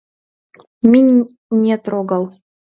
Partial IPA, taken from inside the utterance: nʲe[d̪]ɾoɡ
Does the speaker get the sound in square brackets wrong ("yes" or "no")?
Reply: yes